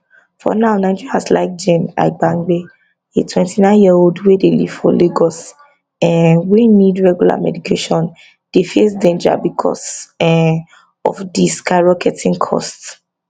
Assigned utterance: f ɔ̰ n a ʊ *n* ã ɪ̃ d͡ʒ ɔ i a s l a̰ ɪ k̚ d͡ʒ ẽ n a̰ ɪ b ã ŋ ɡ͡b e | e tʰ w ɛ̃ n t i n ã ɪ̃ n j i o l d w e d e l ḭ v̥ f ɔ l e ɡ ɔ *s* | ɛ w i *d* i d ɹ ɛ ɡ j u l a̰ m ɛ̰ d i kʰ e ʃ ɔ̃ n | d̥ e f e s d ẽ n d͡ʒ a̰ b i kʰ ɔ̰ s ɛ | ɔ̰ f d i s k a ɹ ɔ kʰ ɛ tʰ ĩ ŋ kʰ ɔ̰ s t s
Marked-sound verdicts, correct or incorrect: correct, correct, incorrect

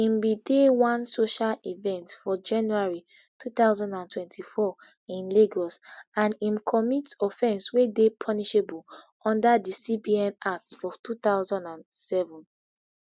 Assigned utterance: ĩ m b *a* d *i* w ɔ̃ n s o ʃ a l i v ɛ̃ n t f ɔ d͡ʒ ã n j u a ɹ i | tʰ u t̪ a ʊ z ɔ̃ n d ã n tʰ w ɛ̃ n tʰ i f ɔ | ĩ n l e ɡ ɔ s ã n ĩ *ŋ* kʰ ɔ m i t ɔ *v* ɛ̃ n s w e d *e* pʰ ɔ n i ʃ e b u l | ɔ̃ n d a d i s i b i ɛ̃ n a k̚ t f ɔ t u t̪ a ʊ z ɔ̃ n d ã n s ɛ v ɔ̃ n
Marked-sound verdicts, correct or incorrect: incorrect, incorrect, incorrect, incorrect, correct

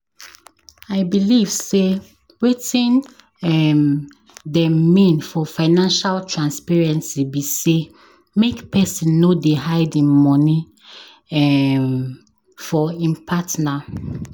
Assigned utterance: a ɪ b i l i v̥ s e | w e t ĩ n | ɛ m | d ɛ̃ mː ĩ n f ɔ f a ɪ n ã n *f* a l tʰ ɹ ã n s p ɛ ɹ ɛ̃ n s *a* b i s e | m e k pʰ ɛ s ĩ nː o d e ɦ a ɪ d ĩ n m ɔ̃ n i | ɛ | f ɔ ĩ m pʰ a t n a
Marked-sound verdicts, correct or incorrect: incorrect, incorrect

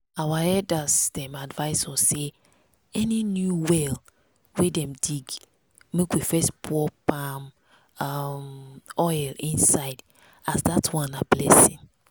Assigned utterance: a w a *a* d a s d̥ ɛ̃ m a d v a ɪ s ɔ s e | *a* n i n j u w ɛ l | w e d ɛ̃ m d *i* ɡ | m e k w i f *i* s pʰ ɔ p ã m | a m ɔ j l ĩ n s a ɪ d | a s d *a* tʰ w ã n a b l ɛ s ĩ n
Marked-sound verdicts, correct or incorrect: incorrect, incorrect, correct, incorrect, correct

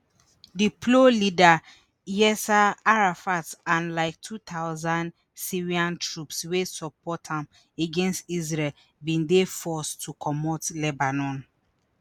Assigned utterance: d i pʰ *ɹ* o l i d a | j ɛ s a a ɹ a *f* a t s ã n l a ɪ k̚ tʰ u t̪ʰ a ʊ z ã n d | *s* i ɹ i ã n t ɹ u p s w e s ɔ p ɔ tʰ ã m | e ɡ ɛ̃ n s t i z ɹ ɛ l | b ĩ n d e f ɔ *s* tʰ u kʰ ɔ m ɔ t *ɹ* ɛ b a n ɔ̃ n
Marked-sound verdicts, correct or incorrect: incorrect, correct, correct, correct, incorrect

